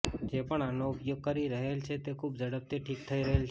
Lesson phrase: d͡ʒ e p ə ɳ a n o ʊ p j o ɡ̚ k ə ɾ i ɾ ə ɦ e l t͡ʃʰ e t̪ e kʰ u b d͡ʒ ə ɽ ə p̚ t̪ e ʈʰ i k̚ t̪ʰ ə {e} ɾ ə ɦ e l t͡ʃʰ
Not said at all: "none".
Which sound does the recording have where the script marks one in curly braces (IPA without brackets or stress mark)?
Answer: i